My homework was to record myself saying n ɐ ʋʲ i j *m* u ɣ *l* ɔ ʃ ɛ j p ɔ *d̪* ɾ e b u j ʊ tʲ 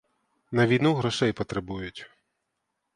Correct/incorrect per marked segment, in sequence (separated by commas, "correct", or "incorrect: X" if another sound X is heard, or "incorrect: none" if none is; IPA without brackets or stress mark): incorrect: n, incorrect: ɾ, incorrect: t̪